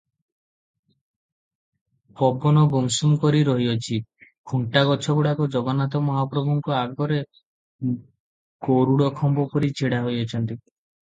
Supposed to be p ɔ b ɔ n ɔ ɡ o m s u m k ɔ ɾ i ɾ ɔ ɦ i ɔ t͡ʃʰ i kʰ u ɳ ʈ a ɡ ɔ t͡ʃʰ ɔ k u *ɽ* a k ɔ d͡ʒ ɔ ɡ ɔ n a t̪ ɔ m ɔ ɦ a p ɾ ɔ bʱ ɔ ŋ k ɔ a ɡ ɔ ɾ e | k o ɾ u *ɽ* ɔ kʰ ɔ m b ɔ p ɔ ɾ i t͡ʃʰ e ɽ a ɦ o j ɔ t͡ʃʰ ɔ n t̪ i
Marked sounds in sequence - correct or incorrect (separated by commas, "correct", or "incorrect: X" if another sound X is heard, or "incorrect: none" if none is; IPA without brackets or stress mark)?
correct, correct